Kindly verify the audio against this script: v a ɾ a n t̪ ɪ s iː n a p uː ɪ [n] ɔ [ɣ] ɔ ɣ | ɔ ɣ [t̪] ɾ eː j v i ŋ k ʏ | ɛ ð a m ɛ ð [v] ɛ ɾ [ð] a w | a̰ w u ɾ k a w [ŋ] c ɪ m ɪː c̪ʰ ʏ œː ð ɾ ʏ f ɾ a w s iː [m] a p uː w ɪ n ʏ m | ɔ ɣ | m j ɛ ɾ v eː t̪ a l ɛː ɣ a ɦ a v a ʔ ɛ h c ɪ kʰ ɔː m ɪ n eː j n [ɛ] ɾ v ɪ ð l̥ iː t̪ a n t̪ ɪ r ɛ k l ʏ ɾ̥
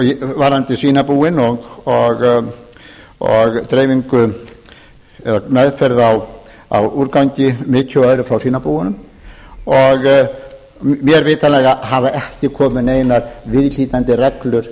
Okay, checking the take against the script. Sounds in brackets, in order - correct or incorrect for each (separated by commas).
correct, correct, correct, incorrect, correct, incorrect, incorrect, incorrect